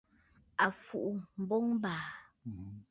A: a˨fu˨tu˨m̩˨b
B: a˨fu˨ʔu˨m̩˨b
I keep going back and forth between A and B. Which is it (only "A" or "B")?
B